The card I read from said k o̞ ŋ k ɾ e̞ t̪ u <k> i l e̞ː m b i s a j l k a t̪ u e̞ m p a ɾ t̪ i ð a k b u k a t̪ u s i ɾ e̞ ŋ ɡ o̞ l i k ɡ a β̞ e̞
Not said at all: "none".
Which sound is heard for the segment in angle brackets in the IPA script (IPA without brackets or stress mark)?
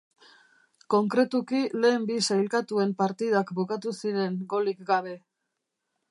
k